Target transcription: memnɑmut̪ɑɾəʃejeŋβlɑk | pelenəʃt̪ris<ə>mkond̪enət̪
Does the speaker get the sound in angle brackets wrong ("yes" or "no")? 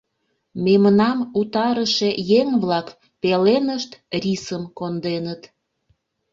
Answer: no